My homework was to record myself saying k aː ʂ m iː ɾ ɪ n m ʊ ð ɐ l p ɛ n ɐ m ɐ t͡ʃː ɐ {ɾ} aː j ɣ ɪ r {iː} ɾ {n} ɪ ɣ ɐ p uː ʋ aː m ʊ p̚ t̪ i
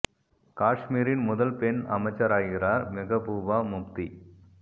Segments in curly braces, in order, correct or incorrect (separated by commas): correct, incorrect, incorrect